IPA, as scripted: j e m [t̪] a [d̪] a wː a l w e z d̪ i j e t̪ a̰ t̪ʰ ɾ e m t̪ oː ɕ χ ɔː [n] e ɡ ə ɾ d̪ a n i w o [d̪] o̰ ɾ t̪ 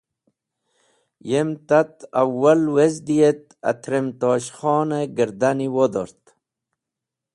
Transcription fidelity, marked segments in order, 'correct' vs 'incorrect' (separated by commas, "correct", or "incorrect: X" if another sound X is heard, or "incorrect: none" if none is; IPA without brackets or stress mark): correct, incorrect: t̪, correct, correct